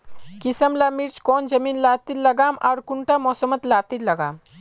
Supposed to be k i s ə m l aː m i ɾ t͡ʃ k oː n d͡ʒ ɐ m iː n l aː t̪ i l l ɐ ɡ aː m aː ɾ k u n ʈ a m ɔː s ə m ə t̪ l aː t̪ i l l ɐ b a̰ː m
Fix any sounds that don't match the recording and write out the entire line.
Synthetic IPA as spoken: k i s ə m l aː m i ɾ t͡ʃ k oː n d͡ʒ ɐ m iː n l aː t̪ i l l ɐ ɡ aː m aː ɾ k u ɳ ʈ a m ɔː s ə m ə t̪ l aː t̪ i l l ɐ ɡ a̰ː m